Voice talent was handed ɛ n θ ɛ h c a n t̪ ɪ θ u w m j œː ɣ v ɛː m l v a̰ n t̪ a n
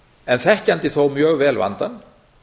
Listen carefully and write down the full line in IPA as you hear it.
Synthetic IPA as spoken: ɛ n θ ɛ h c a n t̪ ɪ θ o w m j œː ɣ v ɛː l v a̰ n t̪ a n